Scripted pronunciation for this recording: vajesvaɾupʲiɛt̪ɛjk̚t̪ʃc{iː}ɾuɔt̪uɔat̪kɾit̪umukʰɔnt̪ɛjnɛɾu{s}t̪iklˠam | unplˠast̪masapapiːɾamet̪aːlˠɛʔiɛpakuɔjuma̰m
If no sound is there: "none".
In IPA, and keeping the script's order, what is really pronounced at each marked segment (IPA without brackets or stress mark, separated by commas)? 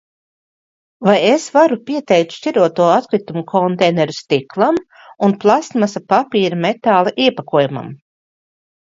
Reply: i, s